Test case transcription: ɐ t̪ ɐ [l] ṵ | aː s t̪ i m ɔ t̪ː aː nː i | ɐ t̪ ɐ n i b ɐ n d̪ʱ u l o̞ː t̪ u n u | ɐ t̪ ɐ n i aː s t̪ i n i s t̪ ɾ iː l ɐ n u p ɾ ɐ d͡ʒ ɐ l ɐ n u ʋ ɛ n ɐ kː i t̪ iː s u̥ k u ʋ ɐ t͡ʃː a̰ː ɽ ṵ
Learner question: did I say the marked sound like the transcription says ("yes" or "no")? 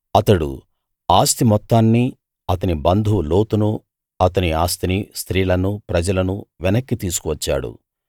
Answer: no